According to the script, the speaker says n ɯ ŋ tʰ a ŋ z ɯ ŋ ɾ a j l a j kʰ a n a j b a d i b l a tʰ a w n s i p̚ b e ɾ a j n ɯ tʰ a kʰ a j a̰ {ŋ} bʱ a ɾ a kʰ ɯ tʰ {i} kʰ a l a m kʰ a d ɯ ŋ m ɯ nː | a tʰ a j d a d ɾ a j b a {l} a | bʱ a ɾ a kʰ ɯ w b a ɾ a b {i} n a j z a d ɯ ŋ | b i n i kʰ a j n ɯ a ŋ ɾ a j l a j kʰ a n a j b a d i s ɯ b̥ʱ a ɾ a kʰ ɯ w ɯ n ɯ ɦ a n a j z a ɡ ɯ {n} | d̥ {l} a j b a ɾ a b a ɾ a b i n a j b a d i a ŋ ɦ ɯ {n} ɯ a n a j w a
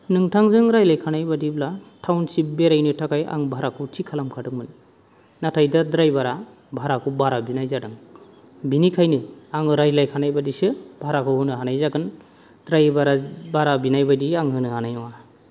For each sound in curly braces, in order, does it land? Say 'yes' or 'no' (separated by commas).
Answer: yes, yes, no, yes, yes, no, yes